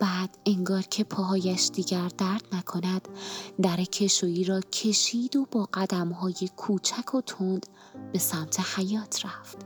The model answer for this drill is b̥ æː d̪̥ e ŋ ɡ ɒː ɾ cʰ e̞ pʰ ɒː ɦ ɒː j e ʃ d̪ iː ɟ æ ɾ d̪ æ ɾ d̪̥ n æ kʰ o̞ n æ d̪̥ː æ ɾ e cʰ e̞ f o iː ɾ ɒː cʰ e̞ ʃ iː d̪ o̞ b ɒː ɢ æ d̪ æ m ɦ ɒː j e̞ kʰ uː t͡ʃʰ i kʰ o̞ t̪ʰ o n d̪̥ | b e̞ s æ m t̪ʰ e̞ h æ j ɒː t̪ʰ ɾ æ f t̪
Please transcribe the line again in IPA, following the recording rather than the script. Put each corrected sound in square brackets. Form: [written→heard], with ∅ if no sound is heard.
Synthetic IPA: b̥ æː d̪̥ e ŋ ɡ ɒː ɾ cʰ e̞ pʰ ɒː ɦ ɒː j [e→æ] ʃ d̪ iː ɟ æ ɾ d̪ æ ɾ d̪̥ n æ kʰ o̞ n æ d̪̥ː æ ɾ e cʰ e̞ [f→ʃ] o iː ɾ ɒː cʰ e̞ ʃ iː d̪ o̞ b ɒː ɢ æ d̪ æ m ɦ ɒː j e̞ kʰ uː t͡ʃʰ [i→æ] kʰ o̞ t̪ʰ o n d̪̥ | b e̞ s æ m t̪ʰ e̞ h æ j ɒː t̪ʰ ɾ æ f t̪